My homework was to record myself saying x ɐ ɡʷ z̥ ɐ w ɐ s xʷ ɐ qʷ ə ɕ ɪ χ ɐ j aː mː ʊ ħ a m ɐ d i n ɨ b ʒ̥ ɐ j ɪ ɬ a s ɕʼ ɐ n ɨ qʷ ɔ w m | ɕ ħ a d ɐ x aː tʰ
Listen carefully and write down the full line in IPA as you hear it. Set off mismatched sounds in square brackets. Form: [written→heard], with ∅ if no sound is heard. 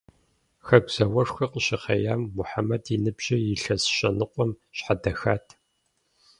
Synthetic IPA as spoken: x ɐ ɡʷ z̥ ɐ w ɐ [s→ʂ] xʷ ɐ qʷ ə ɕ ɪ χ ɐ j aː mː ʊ ħ a m ɐ d i n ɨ b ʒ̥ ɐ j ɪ ɬ [a→ɐ] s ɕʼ ɐ n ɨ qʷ ɔ [w→∅] m | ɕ ħ a d ɐ x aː tʰ